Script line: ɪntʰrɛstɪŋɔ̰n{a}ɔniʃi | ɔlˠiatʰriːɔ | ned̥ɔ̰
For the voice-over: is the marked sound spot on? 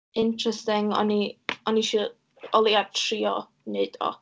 no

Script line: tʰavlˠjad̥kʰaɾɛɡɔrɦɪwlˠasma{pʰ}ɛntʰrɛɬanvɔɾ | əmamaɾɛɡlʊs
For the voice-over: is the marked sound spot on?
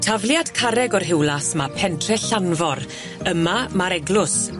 yes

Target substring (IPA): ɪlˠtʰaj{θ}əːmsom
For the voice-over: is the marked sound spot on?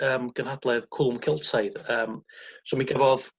no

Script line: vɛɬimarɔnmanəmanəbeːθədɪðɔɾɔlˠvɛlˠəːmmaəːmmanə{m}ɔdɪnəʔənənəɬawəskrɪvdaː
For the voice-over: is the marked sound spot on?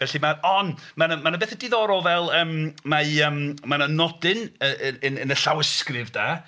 no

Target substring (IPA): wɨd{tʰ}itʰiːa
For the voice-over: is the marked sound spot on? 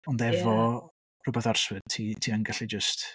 yes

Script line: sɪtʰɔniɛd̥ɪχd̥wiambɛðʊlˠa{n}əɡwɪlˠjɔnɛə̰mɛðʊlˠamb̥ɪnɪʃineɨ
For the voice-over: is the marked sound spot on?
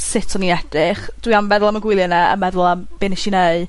no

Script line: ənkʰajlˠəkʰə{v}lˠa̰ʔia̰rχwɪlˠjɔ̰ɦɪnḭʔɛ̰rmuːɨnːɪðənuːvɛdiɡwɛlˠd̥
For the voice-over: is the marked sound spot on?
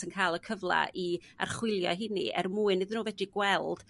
yes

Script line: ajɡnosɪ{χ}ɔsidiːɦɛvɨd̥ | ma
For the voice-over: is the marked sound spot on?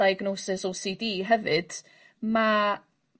no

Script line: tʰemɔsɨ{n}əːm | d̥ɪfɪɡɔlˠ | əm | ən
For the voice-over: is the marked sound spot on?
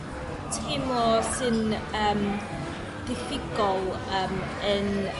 yes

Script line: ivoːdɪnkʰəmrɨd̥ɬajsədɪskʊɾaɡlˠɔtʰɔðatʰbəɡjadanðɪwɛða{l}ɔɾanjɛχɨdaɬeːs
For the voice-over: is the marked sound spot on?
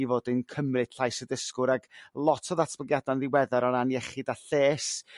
no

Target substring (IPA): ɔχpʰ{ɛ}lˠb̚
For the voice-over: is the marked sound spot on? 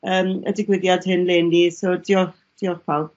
no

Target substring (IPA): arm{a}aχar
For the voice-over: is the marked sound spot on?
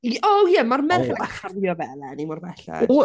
no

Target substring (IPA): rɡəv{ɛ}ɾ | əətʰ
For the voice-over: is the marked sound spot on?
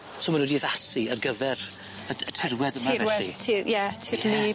yes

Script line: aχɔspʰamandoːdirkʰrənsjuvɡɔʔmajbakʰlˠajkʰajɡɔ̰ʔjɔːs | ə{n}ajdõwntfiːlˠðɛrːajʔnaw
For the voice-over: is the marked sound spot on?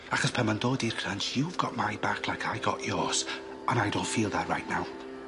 yes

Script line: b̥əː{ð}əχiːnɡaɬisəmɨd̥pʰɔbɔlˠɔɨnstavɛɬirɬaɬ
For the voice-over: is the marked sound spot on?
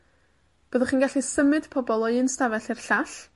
yes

